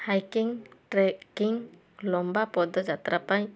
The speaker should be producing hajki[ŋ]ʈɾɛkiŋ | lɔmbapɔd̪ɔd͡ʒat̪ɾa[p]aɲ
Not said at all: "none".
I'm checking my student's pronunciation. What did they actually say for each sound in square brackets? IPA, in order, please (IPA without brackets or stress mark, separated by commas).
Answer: ŋ, p